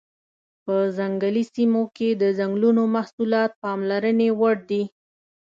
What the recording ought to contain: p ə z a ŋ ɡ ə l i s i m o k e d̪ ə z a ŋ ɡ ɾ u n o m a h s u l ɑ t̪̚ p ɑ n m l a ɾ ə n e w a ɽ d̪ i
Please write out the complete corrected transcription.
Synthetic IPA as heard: p ə z a ŋ ɡ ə l i s i m o k e d̪ ə z a ŋ ɡ l u n o m a h s u l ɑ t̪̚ p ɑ m l a ɾ ə n e w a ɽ d̪ i